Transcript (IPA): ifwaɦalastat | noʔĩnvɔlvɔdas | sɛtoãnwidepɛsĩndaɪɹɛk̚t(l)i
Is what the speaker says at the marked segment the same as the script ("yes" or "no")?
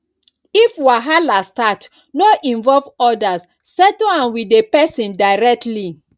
yes